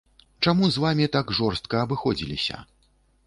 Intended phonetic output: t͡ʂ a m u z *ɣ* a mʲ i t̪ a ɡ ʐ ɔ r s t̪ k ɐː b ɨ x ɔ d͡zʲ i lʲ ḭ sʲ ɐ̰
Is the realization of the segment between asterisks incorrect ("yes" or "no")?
yes